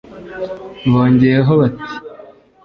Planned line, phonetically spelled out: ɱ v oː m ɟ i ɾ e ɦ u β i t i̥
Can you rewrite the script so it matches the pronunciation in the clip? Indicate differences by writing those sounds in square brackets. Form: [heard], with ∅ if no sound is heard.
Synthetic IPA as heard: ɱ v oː [ɲ] ɟ [e] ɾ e ɦ [o] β [a] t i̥